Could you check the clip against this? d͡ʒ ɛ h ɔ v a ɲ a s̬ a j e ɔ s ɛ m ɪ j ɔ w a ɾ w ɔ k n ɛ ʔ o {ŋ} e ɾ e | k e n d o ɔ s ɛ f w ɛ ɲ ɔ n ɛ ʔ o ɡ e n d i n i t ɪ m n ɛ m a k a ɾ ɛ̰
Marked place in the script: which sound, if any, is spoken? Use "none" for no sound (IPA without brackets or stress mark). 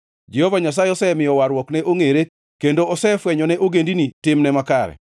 ŋ